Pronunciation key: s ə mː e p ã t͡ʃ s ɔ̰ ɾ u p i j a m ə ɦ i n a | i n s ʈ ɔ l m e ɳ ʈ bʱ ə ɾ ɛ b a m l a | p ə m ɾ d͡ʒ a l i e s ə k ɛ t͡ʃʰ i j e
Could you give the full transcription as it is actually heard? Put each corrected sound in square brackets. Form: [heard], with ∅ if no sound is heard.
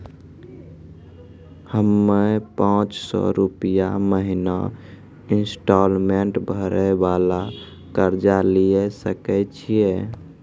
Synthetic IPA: [h] ə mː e p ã t͡ʃ s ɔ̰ ɾ u p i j a m ə ɦ i n a | i n s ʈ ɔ l m e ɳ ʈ bʱ ə ɾ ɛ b a [∅] l a | [k] ə [∅] ɾ d͡ʒ a l i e s ə k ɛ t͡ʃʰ i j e